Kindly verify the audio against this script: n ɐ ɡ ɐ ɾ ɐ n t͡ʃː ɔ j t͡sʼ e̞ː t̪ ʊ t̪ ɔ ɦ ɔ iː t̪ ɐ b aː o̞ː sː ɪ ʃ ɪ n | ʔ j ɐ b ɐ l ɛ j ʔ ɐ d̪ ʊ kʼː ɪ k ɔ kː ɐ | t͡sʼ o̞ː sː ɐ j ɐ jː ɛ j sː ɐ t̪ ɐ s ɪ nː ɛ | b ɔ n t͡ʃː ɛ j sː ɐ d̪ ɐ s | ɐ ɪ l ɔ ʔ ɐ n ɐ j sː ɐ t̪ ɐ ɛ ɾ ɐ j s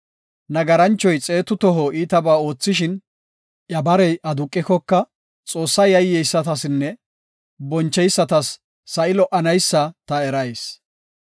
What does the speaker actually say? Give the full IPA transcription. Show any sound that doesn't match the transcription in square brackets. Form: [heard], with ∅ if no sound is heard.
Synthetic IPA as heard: n ɐ ɡ ɐ ɾ ɐ n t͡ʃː ɔ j t͡sʼ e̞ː t̪ ʊ t̪ ɔ ɦ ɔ iː t̪ ɐ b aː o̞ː [t͡sː] ɪ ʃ ɪ n | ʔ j ɐ b ɐ [ɾ] ɛ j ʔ ɐ d̪ ʊ kʼː ɪ k ɔ kː ɐ | t͡sʼ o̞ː sː ɐ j ɐ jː ɛ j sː ɐ t̪ ɐ s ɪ nː ɛ | b ɔ n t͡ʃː ɛ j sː ɐ [t̪] ɐ [sː] | ɐ ɪ l ɔ ʔ ɐ n ɐ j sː ɐ t̪ ɐ ɛ ɾ ɐ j s